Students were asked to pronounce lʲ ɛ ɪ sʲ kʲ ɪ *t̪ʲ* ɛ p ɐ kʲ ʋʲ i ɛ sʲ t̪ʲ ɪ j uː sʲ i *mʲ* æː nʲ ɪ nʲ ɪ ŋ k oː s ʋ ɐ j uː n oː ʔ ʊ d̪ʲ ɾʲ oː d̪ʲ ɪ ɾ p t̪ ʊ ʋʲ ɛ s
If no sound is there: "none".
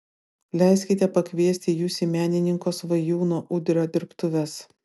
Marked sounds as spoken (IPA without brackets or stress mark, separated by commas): t̪ʲ, mʲ